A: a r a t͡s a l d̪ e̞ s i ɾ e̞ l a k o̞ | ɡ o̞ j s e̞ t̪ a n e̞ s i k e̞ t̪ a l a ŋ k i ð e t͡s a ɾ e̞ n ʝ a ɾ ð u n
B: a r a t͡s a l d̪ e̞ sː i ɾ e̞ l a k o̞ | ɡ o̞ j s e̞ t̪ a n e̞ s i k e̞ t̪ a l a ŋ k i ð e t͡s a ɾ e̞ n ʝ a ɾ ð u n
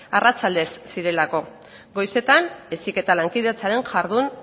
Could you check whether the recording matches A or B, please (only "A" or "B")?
B